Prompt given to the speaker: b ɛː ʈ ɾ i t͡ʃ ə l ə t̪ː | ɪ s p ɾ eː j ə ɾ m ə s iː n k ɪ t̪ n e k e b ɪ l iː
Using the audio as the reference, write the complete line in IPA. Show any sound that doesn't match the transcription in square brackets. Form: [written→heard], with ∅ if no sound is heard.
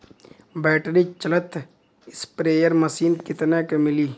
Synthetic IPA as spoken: b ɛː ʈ ɾ i t͡ʃ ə l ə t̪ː | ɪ s p ɾ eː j ə ɾ m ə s iː n k ɪ t̪ n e k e [b→m] ɪ l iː